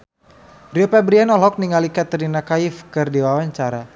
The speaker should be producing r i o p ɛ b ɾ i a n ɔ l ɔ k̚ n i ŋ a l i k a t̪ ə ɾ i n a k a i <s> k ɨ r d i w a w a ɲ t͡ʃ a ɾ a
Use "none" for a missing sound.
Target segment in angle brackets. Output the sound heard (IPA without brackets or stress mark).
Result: f